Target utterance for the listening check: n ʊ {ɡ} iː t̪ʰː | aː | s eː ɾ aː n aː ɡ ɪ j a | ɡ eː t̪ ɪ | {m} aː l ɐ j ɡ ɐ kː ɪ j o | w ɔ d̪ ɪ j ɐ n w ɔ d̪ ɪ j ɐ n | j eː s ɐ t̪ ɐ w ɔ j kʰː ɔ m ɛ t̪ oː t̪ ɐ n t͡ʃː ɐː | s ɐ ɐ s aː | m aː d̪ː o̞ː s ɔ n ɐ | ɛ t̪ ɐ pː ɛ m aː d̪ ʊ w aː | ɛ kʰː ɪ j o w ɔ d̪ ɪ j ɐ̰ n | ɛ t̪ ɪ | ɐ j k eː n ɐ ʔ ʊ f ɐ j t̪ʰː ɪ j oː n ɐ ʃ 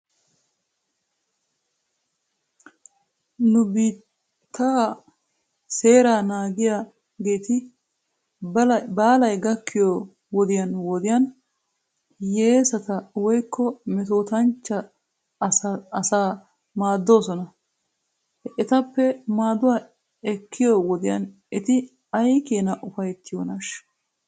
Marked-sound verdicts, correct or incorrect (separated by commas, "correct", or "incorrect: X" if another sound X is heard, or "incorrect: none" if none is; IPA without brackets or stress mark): incorrect: b, incorrect: b